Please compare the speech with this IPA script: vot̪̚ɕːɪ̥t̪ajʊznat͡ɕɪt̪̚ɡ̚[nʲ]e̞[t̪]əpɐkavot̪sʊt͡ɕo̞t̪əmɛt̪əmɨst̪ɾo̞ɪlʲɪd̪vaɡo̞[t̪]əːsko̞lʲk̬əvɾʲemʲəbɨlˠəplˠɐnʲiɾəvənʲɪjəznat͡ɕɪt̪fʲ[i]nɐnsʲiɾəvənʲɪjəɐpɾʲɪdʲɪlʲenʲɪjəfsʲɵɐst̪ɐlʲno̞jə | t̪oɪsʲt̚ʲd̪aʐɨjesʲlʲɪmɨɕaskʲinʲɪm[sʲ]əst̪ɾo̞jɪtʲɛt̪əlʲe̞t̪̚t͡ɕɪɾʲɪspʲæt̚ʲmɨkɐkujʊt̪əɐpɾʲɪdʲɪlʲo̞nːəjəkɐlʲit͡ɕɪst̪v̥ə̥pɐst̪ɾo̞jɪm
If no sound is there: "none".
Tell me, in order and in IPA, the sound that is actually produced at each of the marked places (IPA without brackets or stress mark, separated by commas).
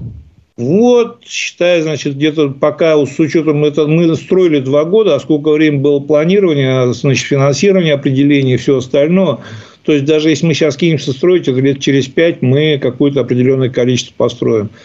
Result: dʲ, t̪, d̪, ɪ, sʲ